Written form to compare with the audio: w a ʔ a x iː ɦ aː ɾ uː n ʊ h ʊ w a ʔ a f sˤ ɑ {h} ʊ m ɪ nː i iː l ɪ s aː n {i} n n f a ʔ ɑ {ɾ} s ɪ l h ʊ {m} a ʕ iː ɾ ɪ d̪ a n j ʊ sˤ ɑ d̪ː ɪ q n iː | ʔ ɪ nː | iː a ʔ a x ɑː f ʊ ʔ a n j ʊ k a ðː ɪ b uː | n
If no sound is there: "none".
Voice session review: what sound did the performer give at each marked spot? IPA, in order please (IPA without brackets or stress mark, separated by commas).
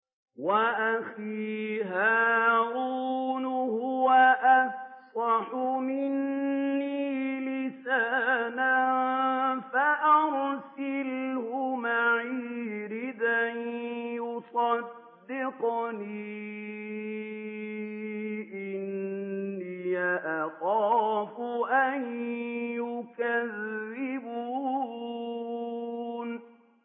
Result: ħ, a, ɾ, m